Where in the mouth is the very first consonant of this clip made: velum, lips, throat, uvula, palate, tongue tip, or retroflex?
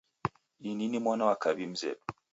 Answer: tongue tip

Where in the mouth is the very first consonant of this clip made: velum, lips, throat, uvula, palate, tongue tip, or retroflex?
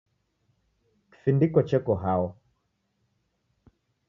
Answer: velum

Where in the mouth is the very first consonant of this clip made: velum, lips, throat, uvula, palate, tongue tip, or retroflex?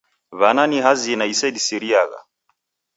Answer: lips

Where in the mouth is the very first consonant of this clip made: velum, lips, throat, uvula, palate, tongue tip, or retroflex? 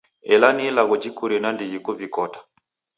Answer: tongue tip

